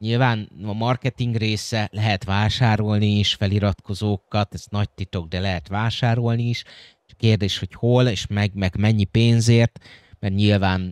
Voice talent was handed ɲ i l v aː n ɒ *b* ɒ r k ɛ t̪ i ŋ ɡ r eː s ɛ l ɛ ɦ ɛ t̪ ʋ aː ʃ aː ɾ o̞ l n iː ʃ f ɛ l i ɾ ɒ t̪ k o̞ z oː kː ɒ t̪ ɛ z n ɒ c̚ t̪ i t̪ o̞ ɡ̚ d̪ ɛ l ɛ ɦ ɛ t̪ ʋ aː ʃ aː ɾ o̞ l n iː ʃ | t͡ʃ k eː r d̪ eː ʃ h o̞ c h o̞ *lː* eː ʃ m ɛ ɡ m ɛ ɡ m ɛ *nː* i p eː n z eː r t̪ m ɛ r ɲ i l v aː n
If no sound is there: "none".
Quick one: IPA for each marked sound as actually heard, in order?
m, l, ɲː

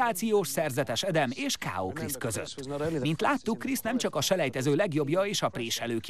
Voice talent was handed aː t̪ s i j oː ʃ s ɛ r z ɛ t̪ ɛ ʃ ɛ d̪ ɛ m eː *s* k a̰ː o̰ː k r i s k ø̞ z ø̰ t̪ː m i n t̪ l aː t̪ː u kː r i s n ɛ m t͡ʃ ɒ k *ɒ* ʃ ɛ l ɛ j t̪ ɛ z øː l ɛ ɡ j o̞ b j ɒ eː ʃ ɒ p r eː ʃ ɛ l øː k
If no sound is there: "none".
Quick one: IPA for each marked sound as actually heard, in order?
ʃ, ɒ

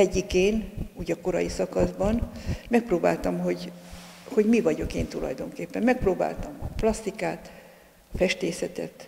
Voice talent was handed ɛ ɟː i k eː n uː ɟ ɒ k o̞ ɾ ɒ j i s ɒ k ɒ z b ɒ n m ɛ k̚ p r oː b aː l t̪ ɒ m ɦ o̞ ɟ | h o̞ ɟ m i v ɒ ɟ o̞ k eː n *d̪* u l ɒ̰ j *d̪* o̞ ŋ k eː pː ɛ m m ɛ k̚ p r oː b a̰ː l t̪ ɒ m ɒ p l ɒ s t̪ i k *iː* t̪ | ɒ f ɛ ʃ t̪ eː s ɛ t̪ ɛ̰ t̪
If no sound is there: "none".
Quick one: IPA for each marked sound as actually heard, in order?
t̪, d̪, aː

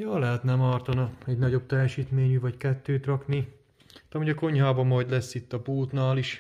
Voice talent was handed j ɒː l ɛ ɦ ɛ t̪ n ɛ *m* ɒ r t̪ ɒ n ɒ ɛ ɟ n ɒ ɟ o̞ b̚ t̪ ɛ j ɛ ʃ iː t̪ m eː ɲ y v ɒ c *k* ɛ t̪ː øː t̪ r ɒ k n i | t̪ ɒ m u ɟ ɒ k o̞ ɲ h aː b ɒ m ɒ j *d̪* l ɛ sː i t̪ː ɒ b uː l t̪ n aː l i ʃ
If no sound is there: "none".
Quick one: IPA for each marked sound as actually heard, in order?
m, k, d̪

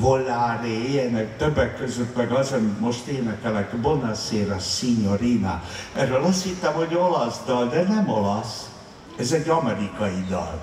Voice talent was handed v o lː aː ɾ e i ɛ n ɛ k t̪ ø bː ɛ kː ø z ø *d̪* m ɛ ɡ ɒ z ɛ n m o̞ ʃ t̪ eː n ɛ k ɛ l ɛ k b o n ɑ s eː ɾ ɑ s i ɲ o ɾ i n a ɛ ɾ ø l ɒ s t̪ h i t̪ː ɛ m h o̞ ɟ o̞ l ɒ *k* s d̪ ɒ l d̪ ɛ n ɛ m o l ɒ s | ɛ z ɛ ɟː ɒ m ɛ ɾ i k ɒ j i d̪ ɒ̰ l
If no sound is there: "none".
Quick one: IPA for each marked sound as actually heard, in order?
t̪, none

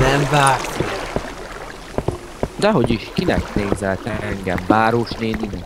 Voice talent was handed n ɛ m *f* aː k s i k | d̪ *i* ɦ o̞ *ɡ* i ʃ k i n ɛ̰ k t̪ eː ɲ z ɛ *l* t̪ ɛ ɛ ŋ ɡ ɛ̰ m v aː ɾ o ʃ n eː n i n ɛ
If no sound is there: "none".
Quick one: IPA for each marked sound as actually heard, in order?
v, ɛ, ɟ, l

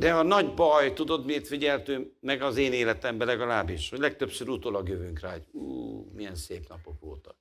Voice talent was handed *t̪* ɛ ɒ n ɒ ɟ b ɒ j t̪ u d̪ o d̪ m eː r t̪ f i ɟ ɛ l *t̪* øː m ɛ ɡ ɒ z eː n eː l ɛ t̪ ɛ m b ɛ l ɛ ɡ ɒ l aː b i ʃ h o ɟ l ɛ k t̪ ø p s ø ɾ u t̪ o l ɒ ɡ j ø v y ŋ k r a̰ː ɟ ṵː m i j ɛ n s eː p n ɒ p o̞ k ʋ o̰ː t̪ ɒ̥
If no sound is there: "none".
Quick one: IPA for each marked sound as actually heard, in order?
d̪, t̪

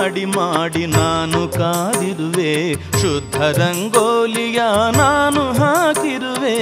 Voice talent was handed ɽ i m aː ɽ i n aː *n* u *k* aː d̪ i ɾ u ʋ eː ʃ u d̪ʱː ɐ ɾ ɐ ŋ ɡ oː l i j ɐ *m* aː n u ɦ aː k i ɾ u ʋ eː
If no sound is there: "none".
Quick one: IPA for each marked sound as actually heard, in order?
n, k, n

